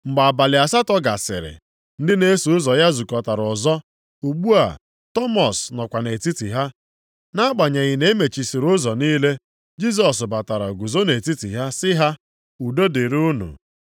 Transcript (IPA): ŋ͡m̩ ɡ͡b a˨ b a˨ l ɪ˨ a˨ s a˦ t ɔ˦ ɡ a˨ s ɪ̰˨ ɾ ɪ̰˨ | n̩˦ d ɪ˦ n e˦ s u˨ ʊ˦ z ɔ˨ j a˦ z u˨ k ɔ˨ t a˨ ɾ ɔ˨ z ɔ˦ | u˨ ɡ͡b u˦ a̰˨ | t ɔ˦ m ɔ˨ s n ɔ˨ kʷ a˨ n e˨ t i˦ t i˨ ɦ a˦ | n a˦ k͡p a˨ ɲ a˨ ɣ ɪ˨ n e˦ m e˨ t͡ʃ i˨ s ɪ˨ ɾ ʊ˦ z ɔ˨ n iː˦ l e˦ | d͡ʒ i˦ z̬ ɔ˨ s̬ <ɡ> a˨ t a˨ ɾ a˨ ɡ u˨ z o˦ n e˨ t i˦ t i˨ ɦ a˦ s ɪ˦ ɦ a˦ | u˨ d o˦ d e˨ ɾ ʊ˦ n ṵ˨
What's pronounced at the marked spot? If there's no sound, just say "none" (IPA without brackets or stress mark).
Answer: b